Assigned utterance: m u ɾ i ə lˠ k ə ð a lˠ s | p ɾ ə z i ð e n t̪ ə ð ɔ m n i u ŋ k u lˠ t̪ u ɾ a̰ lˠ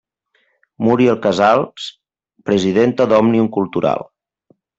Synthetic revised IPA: m u ɾ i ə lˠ k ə z a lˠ s | p ɾ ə z i ð e n t̪ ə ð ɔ m n i u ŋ k u lˠ t̪ u ɾ a̰ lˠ